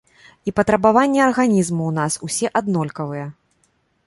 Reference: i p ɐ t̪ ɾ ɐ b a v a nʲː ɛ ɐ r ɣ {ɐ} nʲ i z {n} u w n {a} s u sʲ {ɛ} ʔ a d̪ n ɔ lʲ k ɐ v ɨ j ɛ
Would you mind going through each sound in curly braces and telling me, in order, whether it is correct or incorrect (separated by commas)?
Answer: incorrect, incorrect, correct, correct